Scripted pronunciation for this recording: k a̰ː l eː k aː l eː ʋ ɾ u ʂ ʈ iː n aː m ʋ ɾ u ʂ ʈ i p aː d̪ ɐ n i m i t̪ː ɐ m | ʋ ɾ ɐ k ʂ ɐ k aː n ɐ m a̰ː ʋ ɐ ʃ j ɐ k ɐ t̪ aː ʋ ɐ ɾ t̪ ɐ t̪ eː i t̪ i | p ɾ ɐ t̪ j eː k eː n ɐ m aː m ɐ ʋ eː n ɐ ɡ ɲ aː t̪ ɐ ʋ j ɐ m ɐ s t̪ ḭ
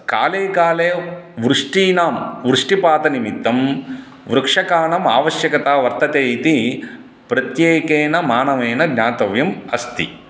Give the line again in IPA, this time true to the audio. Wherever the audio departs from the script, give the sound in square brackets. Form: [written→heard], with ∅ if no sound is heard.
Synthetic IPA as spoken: k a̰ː l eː k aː l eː ʋ ɾ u ʂ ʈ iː n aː m ʋ ɾ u ʂ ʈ i p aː [d̪→t̪] ɐ n i m i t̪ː ɐ m | ʋ ɾ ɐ k ʂ ɐ k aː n ɐ m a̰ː ʋ ɐ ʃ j ɐ k ɐ t̪ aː ʋ ɐ ɾ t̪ ɐ t̪ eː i t̪ i | p ɾ ɐ t̪ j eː k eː n ɐ m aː [m→n] ɐ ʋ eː n ɐ ɡ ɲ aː t̪ ɐ ʋ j ɐ m ɐ s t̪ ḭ